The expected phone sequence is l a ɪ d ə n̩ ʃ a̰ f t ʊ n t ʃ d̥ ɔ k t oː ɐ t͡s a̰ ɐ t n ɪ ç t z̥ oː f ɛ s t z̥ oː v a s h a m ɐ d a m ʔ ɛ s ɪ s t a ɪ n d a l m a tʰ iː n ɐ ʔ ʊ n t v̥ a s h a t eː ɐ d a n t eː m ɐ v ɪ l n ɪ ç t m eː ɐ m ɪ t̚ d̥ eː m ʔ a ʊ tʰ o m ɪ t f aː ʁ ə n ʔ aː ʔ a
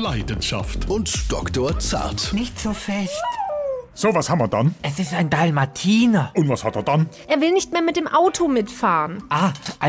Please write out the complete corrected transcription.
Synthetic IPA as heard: l a ɪ d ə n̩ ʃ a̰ f t ʊ n t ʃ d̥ ɔ k t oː ɐ t͡s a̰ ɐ t n ɪ ç t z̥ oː f ɛ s t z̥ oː v a s h a m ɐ d a n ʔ ɛ s ɪ s t a ɪ n d a l m a tʰ iː n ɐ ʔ ʊ n t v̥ a s h a t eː ɐ d a n ʔ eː ɐ v ɪ l n ɪ ç t m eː ɐ m ɪ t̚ d̥ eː m ʔ a ʊ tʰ o m ɪ t f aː ʁ ə n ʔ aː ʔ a